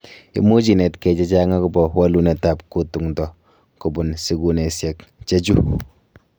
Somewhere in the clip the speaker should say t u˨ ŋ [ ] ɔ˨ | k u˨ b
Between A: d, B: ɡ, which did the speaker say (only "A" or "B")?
A